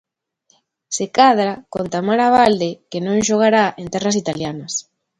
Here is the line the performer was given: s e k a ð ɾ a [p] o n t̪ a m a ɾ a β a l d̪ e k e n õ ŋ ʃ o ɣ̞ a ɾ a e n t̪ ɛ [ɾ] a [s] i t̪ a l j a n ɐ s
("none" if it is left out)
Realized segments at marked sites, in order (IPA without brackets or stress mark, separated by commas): k, r, s